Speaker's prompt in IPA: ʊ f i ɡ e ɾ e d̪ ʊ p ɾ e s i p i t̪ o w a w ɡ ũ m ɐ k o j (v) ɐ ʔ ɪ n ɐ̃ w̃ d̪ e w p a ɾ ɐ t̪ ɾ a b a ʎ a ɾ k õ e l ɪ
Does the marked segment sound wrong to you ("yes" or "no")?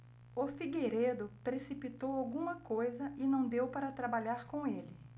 yes